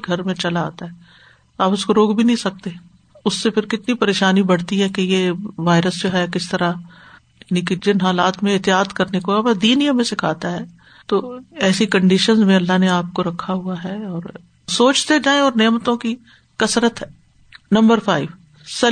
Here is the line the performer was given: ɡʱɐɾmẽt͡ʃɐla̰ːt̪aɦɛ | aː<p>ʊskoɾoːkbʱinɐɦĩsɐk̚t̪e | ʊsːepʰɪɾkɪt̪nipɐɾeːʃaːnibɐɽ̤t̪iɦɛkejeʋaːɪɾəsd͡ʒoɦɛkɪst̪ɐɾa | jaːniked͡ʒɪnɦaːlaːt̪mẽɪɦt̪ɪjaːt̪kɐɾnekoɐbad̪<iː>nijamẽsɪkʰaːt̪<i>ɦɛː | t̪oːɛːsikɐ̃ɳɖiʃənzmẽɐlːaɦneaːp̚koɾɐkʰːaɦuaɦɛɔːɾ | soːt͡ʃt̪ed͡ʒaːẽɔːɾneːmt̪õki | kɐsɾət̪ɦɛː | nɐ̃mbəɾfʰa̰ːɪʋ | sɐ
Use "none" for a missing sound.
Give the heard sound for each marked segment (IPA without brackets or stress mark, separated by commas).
p, iː, a